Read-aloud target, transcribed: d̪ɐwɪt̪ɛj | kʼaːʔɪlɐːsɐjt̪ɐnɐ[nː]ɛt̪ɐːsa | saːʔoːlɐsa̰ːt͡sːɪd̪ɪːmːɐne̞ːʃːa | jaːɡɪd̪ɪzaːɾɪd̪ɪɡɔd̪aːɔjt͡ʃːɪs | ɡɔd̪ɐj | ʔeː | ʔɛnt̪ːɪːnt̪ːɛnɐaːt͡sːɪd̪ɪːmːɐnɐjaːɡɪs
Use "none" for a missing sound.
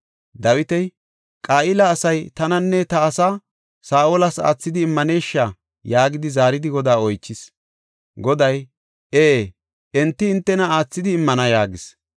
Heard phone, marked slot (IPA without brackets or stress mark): nː